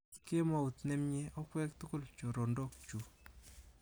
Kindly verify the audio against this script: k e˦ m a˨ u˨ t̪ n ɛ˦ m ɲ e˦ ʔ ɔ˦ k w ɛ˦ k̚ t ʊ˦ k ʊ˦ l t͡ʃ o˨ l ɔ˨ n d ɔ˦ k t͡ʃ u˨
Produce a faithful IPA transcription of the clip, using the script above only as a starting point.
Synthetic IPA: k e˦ m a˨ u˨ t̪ n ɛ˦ m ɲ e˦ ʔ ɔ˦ k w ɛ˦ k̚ t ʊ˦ k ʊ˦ l t͡ʃ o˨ ɾ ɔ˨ n d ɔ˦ k t͡ʃ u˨